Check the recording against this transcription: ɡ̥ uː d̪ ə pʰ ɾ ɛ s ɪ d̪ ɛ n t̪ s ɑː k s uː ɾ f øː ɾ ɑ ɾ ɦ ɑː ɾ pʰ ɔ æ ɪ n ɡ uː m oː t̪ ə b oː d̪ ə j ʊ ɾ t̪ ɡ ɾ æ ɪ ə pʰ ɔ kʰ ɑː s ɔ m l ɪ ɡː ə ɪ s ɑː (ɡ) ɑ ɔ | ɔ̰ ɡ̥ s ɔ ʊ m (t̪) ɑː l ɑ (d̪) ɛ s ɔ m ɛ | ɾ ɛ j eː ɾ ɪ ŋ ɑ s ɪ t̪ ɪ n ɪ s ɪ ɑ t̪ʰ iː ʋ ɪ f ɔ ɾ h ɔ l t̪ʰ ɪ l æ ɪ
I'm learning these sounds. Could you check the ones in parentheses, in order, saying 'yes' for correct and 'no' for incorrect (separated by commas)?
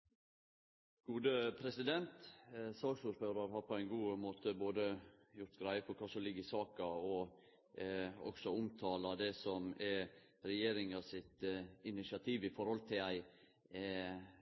no, no, yes